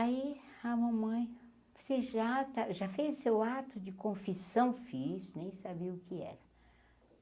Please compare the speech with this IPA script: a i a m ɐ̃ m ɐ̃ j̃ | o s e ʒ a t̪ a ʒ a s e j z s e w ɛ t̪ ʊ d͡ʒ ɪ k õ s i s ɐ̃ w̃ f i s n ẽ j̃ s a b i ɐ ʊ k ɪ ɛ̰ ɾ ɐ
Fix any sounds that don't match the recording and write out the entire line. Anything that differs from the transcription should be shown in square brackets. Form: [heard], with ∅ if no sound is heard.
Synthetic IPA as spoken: a i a m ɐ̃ m ɐ̃ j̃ | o s e ʒ a t̪ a ʒ a [f] e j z s e w [a] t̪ ʊ d͡ʒ ɪ k õ [f] i s ɐ̃ w̃ f i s n ẽ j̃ s a b i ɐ ʊ k ɪ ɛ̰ ɾ ɐ